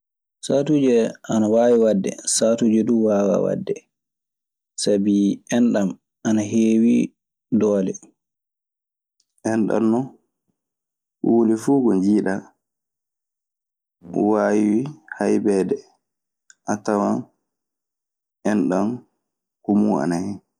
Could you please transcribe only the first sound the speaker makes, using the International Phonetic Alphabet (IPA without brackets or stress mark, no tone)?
s